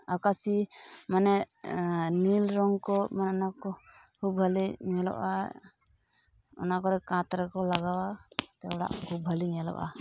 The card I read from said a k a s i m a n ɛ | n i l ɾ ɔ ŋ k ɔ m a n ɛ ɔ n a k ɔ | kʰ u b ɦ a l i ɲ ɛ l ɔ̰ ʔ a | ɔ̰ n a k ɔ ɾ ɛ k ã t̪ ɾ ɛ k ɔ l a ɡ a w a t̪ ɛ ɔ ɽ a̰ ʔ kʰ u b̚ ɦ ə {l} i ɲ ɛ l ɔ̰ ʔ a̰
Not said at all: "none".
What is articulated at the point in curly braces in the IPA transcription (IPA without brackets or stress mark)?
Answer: l